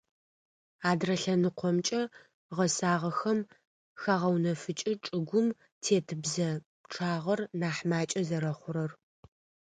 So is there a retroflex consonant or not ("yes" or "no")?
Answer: yes